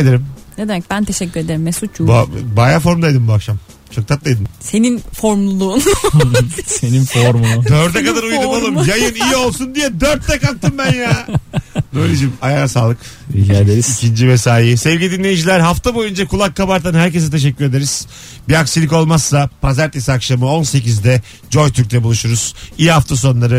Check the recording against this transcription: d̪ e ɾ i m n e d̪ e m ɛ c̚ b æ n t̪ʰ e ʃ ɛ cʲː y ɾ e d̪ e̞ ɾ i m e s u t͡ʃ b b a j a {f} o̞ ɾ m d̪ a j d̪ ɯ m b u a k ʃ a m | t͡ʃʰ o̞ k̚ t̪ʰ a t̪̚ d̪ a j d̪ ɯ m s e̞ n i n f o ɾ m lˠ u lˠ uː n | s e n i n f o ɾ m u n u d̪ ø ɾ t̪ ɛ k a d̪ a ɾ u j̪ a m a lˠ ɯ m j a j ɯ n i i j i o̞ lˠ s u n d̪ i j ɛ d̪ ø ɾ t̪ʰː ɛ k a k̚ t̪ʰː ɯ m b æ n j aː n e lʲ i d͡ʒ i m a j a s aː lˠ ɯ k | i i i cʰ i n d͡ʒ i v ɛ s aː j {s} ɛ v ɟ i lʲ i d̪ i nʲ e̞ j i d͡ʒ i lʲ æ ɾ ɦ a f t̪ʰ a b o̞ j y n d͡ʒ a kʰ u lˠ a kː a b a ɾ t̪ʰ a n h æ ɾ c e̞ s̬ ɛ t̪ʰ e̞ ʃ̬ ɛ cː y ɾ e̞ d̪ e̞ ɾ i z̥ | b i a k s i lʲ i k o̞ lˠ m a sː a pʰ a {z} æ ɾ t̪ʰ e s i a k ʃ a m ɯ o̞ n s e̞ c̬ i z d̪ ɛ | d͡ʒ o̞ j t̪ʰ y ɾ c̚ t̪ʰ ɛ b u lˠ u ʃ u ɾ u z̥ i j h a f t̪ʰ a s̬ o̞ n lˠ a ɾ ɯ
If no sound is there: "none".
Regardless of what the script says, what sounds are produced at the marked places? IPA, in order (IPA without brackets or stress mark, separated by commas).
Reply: f, s, z